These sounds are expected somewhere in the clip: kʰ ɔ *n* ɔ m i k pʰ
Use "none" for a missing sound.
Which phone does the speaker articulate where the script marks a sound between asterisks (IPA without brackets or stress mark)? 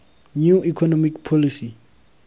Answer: n